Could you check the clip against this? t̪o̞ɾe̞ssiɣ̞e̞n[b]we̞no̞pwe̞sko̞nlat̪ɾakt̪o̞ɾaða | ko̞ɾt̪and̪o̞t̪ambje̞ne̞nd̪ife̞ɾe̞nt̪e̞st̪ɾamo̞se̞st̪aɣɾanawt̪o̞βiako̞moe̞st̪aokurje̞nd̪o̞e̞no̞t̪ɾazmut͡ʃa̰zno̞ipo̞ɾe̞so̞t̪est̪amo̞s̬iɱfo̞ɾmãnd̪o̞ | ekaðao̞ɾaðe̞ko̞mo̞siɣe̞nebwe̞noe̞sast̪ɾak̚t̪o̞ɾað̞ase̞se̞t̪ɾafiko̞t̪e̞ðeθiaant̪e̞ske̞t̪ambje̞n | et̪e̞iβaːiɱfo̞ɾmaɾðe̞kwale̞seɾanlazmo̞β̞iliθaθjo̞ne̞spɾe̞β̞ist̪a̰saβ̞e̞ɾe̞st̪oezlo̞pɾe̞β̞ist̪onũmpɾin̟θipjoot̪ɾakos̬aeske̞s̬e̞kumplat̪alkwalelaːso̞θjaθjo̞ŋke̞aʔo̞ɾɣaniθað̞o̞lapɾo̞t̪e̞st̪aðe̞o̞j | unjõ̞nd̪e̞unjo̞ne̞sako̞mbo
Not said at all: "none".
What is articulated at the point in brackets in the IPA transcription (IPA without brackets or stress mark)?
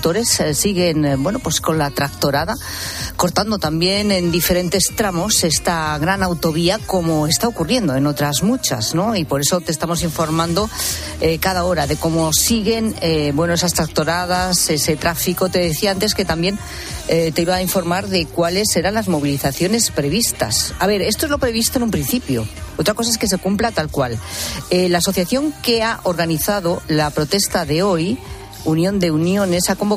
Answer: b